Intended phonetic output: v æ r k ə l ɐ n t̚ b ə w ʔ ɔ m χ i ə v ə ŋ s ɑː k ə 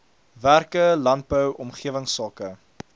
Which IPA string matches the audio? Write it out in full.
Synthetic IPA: v æ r k ə l ɐ n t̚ b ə w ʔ ɔ m χ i ə v ə ŋ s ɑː k ə